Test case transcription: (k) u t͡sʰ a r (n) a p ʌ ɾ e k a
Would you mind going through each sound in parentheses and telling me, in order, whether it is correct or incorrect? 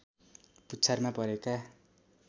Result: incorrect, incorrect

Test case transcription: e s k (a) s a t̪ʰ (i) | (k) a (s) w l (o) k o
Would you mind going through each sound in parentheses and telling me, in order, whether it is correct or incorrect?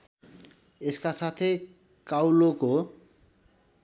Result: correct, incorrect, correct, incorrect, correct

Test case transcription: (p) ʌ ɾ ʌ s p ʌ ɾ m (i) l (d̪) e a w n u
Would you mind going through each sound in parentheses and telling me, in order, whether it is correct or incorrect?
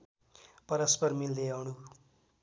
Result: correct, correct, correct

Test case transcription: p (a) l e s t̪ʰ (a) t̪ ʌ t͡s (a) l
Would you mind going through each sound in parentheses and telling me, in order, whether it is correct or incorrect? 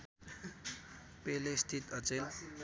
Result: incorrect, incorrect, incorrect

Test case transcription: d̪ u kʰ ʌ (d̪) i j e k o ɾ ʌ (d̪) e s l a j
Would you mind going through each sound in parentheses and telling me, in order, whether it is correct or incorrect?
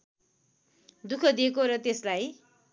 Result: correct, incorrect

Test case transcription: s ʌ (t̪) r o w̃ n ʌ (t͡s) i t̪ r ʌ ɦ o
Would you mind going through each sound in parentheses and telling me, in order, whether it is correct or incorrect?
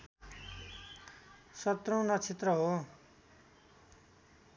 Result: correct, incorrect

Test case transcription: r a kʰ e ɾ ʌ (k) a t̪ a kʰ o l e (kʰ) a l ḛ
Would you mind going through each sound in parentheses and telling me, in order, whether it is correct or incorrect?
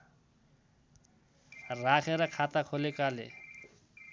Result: incorrect, incorrect

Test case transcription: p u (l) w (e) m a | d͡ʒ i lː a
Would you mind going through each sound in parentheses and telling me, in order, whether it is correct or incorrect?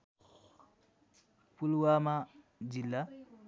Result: correct, incorrect

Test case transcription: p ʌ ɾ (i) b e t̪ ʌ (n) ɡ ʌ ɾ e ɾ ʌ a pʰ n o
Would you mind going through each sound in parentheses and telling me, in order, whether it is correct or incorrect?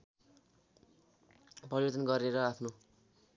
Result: correct, correct

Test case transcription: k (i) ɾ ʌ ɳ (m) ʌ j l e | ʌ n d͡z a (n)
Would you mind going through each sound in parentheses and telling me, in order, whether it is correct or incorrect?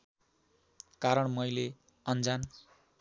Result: incorrect, correct, correct

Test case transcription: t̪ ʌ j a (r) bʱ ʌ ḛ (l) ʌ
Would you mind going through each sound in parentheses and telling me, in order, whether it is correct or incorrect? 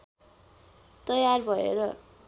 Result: correct, incorrect

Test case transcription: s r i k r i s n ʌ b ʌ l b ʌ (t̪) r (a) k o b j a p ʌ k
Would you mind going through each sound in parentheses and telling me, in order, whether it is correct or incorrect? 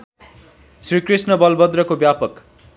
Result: incorrect, incorrect

